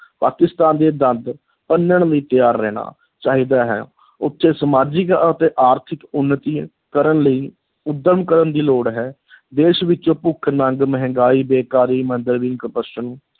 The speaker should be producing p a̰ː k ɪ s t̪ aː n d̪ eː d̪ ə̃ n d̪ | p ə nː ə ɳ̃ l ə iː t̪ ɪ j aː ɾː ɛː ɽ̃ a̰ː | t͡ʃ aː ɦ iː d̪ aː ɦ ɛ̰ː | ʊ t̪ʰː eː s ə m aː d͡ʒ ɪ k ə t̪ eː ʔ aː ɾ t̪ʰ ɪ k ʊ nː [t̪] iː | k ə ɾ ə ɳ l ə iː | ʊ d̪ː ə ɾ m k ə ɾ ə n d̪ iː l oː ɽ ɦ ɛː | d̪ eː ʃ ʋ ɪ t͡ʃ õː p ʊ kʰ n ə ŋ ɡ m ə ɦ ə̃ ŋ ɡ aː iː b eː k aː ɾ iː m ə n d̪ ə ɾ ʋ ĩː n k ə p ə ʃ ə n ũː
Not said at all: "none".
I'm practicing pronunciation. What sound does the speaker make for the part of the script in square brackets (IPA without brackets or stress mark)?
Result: t̪